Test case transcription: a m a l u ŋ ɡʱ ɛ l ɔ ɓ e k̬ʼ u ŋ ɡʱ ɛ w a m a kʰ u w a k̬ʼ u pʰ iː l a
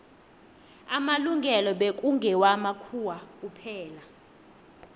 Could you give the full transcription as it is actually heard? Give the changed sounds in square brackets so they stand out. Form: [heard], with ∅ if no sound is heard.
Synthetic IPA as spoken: a m a l u ŋ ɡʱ ɛ l ɔ ɓ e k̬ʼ u ŋ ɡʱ ɛ w a m a kʰ u w a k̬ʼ u pʰ [ɛː] l a